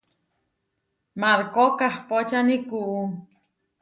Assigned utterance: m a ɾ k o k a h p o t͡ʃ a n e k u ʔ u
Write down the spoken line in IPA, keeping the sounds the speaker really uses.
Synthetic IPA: m a ɾ k o k a h p o t͡ʃ a n i k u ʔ u